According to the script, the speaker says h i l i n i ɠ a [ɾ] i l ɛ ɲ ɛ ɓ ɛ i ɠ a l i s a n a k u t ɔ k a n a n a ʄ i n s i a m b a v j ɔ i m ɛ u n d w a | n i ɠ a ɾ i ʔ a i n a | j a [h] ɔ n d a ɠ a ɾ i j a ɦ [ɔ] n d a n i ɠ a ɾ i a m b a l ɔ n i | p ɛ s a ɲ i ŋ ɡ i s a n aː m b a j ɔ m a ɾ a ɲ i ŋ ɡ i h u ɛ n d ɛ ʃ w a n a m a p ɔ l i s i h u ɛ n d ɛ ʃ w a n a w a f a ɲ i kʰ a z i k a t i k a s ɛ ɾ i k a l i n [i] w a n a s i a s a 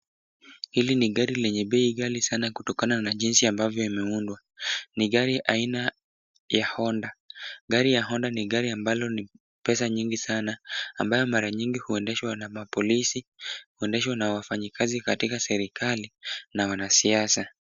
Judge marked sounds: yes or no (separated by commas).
yes, yes, yes, no